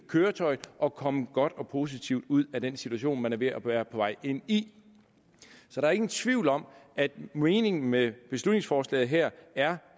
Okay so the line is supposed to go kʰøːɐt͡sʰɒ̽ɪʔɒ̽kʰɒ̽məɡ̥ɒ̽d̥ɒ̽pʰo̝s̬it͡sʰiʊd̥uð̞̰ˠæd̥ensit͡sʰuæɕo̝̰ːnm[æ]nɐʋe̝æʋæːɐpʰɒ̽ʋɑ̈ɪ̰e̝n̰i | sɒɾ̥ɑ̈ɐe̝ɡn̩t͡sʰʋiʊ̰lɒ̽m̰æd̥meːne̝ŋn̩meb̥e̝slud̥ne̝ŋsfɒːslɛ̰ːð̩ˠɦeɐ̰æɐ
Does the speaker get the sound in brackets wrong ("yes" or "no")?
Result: no